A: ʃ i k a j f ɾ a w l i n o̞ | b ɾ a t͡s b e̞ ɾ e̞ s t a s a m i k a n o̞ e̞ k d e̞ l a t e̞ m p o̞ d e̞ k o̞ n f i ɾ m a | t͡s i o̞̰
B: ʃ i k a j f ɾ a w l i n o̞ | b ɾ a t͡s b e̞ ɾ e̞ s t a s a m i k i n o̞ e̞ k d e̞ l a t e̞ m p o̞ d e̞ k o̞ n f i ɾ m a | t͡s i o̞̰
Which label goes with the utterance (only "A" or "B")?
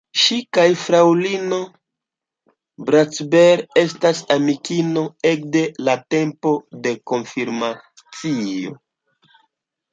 B